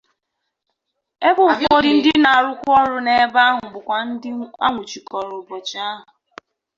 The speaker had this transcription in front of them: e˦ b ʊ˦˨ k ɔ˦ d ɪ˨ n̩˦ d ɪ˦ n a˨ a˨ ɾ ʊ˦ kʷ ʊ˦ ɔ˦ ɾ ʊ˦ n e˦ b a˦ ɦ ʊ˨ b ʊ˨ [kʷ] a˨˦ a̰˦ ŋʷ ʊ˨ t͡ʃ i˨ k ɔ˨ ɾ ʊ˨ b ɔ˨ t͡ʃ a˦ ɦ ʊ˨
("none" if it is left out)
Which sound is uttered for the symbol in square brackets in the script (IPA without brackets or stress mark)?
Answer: kʷ